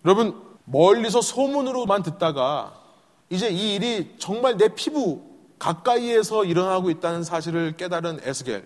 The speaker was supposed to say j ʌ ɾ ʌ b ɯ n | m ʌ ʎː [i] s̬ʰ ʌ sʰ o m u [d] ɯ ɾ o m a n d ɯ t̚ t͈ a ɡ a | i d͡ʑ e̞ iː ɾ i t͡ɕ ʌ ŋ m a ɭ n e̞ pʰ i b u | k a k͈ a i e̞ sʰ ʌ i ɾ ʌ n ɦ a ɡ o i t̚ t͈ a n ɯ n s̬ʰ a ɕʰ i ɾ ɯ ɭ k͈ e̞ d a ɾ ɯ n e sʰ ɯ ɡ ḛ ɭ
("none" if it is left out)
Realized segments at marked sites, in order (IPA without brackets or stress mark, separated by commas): i, n